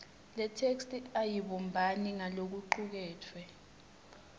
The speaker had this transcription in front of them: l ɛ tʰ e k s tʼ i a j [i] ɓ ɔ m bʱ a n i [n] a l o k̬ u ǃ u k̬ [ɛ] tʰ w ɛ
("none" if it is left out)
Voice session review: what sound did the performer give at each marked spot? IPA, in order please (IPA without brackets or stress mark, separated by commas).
i, ŋ, ɛː